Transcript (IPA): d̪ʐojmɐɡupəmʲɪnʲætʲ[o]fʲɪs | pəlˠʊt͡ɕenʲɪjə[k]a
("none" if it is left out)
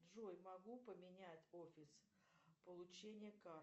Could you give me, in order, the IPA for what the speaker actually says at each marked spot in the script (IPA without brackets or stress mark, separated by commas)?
o, k